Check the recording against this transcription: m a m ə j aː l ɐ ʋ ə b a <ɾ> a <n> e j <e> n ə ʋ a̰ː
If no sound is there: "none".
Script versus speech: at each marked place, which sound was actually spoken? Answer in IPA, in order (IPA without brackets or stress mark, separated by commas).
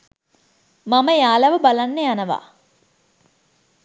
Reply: l, nː, a